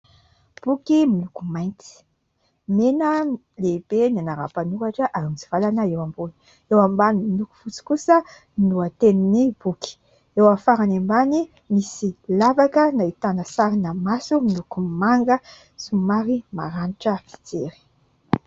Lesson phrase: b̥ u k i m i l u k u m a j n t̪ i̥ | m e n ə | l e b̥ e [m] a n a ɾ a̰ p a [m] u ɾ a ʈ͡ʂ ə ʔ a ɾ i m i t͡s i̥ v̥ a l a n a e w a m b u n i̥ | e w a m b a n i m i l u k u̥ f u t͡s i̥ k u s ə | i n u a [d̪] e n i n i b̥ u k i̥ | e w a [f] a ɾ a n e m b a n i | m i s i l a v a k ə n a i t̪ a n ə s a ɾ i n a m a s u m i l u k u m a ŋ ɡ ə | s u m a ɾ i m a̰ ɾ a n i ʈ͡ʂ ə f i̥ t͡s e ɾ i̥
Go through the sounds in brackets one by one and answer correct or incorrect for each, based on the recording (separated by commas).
incorrect, incorrect, incorrect, correct